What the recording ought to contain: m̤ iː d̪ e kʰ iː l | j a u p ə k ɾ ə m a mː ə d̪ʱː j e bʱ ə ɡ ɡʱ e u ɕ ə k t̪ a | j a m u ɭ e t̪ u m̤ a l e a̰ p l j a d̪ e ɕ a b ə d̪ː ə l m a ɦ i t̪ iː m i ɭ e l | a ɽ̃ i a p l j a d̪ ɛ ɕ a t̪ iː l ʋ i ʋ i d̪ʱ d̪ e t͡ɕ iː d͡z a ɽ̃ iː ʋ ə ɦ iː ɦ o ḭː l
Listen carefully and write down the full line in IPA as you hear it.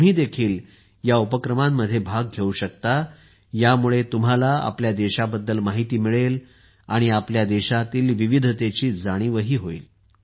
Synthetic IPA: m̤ iː d̪ e kʰ iː l | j a u p ə k ɾ ə m a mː ə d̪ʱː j e bʱ a ɡ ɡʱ e u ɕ ə k t̪ a | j a m u ɭ e t̪ u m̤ a l a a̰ p l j a d̪ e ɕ a b ə d̪ː ə l m a ɦ i t̪ iː m i ɭ e l | a ɽ̃ i a p l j a d̪ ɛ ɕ a t̪ iː l ʋ i ʋ i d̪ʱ t̪ e t͡ɕ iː d͡z a ɽ̃ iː ʋ ə ɦ iː ɦ o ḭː l